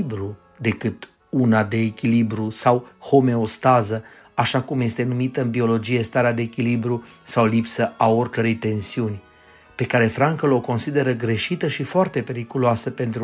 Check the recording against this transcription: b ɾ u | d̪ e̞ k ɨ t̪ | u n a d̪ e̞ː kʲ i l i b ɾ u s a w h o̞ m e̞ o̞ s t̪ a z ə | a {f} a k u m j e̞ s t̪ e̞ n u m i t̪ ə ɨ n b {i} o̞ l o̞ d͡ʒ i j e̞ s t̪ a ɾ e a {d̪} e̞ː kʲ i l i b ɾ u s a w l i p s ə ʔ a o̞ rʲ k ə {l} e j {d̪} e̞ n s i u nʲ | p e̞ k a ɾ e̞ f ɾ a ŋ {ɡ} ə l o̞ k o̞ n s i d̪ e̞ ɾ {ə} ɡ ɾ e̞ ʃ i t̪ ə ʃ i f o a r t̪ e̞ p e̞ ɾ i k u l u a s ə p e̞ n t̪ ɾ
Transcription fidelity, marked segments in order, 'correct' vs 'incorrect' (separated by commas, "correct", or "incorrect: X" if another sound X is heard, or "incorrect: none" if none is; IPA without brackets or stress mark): incorrect: ʃ, correct, correct, incorrect: ɾ, incorrect: t̪, incorrect: k, correct